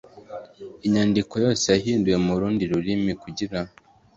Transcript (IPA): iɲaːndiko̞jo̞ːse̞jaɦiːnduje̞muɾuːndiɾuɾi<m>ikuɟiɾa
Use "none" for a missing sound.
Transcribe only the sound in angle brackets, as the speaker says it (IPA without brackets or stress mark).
m